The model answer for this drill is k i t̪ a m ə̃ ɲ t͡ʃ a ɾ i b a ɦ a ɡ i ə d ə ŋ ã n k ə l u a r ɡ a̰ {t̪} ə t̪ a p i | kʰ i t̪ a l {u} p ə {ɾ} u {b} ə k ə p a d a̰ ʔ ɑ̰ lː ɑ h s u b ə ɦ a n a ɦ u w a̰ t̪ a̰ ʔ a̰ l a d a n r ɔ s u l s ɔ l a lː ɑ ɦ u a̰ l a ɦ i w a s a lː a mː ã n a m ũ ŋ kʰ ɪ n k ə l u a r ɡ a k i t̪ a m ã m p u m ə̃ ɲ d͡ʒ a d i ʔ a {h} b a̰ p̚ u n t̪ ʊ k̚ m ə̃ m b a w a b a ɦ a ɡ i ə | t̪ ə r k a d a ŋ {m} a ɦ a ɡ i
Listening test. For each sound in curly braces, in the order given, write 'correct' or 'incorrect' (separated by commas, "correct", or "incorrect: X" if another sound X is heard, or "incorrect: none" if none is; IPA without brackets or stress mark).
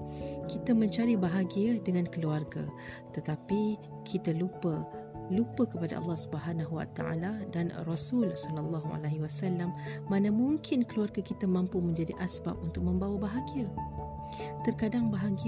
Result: correct, correct, incorrect: l, incorrect: p, incorrect: s, incorrect: b